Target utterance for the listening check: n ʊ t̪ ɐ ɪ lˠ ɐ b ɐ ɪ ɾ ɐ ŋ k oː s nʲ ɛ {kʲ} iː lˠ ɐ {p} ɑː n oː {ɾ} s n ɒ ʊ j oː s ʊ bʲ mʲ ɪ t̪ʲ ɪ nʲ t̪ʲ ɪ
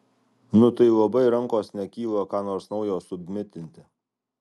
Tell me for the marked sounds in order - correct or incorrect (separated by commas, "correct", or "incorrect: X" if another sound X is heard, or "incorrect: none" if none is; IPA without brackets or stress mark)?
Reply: correct, incorrect: k, correct